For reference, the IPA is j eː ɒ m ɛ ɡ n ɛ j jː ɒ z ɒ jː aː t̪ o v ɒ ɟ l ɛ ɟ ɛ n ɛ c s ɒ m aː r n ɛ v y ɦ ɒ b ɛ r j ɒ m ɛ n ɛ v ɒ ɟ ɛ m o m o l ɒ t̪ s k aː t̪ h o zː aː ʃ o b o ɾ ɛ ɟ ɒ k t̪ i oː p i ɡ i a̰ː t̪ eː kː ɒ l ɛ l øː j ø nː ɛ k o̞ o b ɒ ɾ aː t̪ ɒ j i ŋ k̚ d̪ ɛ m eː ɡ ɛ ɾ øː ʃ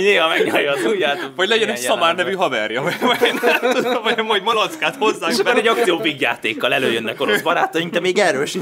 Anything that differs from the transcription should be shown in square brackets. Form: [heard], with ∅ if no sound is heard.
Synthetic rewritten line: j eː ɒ m ɛ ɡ [ɲ] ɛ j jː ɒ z [u] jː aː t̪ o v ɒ ɟ l ɛ ɟ ɛ n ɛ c s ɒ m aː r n ɛ v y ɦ ɒ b ɛ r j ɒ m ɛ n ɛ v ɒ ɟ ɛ m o m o l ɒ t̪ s k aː t̪ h o zː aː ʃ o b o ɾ ɛ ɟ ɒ k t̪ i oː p i ɡ [j] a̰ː t̪ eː kː ɒ l ɛ l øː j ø nː ɛ k o̞ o b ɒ ɾ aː t̪ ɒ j i ŋ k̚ d̪ ɛ m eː ɡ ɛ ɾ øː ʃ